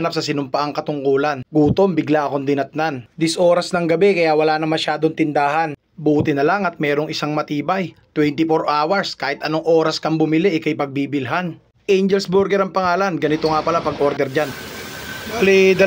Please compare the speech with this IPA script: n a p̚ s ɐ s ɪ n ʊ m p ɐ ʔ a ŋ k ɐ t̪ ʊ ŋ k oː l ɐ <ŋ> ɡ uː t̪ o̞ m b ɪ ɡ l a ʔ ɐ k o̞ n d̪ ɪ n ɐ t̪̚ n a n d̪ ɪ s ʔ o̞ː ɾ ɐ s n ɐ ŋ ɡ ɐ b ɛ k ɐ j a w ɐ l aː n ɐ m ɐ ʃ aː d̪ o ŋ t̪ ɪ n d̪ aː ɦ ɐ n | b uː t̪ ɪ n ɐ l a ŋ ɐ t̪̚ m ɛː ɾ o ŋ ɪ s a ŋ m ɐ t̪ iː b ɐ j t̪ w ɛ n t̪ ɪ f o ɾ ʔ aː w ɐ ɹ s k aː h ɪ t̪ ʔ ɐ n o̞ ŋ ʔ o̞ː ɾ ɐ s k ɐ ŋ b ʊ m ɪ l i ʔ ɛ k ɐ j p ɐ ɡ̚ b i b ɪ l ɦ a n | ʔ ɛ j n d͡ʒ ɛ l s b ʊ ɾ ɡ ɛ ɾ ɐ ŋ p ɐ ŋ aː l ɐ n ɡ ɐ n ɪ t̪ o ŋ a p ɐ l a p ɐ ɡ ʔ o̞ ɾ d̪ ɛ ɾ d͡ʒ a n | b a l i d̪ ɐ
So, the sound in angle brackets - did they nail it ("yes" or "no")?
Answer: no